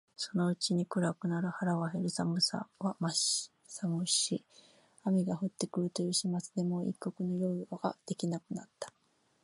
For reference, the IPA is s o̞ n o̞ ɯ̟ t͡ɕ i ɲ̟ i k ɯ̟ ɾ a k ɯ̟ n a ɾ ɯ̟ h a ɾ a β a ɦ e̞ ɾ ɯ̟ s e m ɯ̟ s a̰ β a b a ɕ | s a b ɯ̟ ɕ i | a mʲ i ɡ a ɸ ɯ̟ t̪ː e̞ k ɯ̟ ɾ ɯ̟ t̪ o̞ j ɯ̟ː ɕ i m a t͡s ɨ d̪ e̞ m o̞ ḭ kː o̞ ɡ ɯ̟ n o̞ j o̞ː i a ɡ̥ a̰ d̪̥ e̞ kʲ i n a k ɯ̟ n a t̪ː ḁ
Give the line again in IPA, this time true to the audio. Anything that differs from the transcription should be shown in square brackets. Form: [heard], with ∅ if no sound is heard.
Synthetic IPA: s o̞ n o̞ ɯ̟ t͡ɕ i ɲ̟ i k ɯ̟ ɾ a k ɯ̟ n a ɾ ɯ̟ h a ɾ a β a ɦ e̞ ɾ ɯ̟ s [a] m ɯ̟ s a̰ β a [m] a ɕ | s a [m] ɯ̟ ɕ i | a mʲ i ɡ a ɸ ɯ̟ t̪ː e̞ k ɯ̟ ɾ ɯ̟ t̪ o̞ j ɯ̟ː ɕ i m a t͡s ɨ d̪ e̞ m o̞ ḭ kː o̞ [k] ɯ̟ n o̞ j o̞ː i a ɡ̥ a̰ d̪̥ e̞ kʲ i n a k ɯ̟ n a t̪ː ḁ

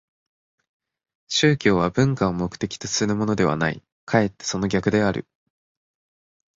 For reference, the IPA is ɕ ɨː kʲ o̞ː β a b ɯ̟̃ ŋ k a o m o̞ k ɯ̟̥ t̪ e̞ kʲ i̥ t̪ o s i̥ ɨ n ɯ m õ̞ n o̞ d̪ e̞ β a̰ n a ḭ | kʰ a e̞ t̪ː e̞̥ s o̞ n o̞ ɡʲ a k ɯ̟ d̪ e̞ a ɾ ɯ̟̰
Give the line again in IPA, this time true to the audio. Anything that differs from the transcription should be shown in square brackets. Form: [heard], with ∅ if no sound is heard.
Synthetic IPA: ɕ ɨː kʲ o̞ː β a b ɯ̟̃ ŋ k a o m o̞ k ɯ̟̥ t̪ e̞ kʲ i̥ t̪ o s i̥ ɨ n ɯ m [o̞] n o̞ d̪ e̞ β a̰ n a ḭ | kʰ a e̞ t̪ː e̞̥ s o̞ n o̞ ɡʲ a k ɯ̟ d̪ e̞ a ɾ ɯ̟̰

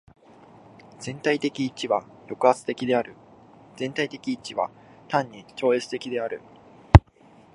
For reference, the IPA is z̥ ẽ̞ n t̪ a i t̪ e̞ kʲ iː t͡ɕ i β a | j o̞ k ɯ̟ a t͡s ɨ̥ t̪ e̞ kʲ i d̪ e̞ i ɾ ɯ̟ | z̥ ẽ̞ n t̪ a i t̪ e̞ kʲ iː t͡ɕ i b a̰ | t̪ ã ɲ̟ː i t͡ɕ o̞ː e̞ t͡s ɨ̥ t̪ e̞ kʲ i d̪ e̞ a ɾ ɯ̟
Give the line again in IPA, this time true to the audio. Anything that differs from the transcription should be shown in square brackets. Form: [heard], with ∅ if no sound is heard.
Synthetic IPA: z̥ ẽ̞ n t̪ a i t̪ e̞ kʲ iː t͡ɕ i β a | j o̞ k ɯ̟ a t͡s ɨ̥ t̪ e̞ kʲ i d̪ e̞ [a] ɾ ɯ̟ | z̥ ẽ̞ n t̪ a i t̪ e̞ kʲ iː t͡ɕ i [β] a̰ | t̪ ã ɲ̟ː i t͡ɕ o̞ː e̞ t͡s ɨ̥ t̪ e̞ kʲ i d̪ e̞ a ɾ ɯ̟

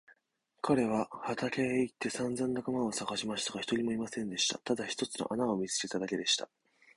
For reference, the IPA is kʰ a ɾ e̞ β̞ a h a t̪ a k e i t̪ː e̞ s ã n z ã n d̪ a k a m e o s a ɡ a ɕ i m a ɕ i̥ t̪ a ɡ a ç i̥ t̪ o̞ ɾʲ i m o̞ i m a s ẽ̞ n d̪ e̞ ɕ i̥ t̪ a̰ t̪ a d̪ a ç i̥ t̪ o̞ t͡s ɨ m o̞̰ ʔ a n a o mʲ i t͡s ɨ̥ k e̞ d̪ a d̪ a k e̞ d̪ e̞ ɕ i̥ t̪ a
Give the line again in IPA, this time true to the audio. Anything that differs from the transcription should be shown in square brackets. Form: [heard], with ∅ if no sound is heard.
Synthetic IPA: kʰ a ɾ e̞ β̞ a h a t̪ a k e i t̪ː e̞ s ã n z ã n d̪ a k a m [a] o s a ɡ a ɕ i m a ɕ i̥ t̪ a ɡ a ç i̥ t̪ o̞ ɾʲ i m o̞ i m a s ẽ̞ n d̪ e̞ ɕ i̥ t̪ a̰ t̪ a d̪ a ç i̥ t̪ o̞ t͡s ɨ [n] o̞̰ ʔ a n a o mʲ i t͡s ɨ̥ k e̞ [t̪] a d̪ a k e̞ d̪ e̞ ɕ i̥ t̪ a

